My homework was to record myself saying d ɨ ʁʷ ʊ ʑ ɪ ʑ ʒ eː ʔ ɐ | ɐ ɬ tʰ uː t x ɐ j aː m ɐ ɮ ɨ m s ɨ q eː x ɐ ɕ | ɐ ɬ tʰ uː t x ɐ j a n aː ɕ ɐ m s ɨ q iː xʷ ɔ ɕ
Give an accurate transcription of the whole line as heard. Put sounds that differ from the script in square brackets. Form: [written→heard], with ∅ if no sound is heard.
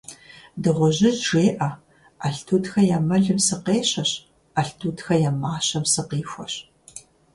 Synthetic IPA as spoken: d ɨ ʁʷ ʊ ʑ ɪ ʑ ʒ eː ʔ ɐ | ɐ ɬ tʰ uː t x ɐ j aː m ɐ ɮ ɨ m s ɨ q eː [x→ɕ] ɐ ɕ | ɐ ɬ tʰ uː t x ɐ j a [n→m] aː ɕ ɐ m s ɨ q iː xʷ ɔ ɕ